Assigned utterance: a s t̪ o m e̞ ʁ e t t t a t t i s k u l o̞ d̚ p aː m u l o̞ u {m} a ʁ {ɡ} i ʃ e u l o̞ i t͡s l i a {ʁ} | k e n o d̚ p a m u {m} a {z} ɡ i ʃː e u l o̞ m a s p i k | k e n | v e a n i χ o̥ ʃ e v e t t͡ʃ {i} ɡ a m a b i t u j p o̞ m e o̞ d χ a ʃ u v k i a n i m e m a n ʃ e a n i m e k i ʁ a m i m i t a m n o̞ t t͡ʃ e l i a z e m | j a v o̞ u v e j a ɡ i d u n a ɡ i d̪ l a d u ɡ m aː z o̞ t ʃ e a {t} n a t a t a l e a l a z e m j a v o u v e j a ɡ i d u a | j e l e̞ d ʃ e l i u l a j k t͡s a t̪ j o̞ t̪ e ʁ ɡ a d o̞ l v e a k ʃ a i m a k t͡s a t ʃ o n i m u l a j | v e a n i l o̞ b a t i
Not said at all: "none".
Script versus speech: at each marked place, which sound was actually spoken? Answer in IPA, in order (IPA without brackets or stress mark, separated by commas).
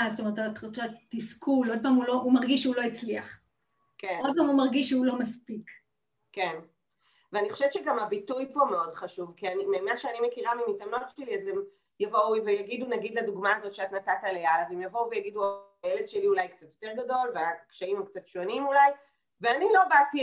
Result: m, ɡ, χ, m, ʁ, e, t